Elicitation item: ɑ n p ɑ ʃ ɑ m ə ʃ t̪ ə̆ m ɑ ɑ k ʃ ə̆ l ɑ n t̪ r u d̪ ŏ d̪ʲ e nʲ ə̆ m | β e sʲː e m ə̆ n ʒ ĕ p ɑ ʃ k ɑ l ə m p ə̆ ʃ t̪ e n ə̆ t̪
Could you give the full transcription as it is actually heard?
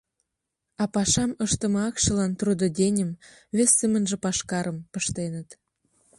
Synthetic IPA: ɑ p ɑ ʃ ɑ m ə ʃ t̪ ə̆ m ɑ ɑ k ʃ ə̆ l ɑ n t̪ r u d̪ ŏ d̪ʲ e nʲ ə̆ m | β e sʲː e m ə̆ n ʒ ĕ p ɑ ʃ k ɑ ɾ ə m p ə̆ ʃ t̪ e n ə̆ t̪